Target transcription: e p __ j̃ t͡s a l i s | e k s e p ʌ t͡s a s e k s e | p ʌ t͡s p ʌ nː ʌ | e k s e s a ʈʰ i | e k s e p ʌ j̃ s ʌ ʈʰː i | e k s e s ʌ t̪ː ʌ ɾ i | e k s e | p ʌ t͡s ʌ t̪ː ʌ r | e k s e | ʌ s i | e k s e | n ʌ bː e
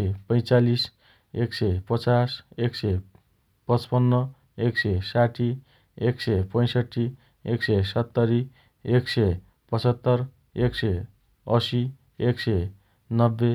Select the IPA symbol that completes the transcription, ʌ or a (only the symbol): ʌ